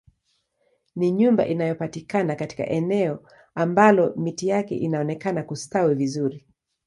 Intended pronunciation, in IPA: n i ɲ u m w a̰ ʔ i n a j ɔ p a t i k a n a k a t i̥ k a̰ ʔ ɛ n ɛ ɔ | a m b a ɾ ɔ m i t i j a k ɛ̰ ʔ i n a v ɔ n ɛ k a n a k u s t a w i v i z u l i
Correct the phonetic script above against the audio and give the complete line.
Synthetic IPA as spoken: n i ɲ u m b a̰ ʔ i n a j ɔ p a t i k a n a k a t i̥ k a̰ ʔ ɛ n ɛ ɔ | a m b a l ɔ m i t i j a k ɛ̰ ʔ i n a ɔ n ɛ k a n a k u s t a w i v i z u ɾ i